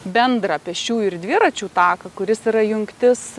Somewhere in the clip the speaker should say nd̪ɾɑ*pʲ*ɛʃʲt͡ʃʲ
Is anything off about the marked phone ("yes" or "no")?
no